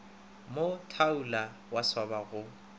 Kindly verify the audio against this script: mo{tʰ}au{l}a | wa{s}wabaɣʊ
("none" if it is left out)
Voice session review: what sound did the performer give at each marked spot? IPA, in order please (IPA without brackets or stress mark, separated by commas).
tʰ, l, s